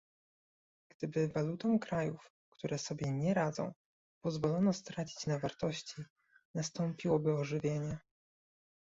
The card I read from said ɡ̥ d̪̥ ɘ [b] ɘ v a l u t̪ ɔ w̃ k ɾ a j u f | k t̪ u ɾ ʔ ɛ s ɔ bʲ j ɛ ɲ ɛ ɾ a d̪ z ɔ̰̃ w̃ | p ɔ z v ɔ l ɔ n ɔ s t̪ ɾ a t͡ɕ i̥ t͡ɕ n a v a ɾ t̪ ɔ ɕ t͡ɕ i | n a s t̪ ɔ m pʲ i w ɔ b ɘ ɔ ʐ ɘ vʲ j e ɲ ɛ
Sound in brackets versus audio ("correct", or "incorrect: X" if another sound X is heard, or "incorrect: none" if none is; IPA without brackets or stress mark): correct